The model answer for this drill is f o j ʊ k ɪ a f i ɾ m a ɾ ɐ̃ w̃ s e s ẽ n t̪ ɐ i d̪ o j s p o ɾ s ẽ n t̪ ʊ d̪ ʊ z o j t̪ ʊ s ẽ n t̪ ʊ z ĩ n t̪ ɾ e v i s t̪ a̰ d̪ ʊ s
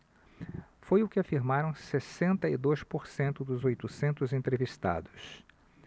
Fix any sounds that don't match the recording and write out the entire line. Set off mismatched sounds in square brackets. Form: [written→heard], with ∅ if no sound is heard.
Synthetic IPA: f o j ʊ k ɪ a f i ɾ m a ɾ ɐ̃ w̃ s e s ẽ n t̪ ɐ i d̪ o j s p o ɾ s ẽ n t̪ ʊ d̪ ʊ z o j t̪ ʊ s ẽ n t̪ ʊ z [ĩ→ẽ] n t̪ ɾ e v i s t̪ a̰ d̪ ʊ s